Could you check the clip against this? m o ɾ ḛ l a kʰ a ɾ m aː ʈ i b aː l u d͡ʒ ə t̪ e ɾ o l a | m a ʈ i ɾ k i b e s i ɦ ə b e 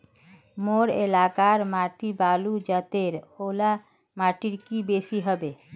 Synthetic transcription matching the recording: m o ɾ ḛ l a k a ɾ m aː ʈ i b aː l u d͡ʒ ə t̪ e ɾ o l a | m a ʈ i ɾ k i b e s i ɦ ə b e